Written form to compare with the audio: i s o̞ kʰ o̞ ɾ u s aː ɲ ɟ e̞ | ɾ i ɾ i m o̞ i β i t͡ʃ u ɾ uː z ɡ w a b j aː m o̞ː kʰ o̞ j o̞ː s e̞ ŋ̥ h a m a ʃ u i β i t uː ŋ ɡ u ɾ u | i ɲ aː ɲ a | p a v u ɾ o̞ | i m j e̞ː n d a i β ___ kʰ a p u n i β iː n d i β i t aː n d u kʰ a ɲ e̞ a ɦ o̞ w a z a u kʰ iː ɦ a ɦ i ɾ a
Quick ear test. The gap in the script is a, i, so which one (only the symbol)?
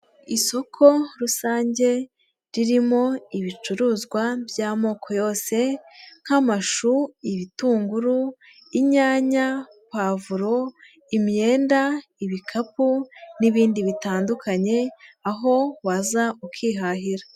i